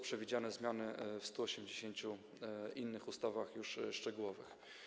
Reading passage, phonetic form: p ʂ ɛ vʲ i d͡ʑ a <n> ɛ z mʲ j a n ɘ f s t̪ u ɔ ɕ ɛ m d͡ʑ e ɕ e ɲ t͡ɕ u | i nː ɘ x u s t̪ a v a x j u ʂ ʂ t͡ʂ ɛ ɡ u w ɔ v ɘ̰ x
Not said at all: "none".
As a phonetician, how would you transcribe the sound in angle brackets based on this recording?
n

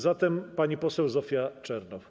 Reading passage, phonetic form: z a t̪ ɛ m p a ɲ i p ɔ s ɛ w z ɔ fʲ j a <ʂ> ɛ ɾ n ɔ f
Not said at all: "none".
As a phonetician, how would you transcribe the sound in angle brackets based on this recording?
t͡ʂ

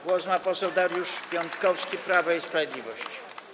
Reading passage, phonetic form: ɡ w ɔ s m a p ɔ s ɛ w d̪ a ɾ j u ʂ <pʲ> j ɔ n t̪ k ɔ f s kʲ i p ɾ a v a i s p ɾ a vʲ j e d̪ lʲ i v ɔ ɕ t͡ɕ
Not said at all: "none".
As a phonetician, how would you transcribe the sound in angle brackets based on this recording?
pʲ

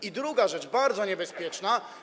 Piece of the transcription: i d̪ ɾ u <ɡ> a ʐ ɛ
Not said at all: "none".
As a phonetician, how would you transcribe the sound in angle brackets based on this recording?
ɡ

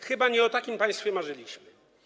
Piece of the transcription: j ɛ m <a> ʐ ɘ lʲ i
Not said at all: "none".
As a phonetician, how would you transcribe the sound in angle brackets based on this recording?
a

